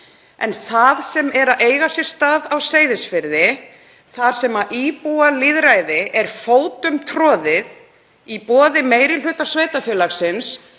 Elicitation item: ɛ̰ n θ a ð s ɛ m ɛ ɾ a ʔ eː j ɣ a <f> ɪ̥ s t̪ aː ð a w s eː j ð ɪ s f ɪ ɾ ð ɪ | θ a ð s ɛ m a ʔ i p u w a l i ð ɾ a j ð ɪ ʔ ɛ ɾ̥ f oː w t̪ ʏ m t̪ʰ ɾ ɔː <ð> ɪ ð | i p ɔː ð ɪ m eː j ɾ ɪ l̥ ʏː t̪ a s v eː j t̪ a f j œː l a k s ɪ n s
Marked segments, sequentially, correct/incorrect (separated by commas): incorrect, correct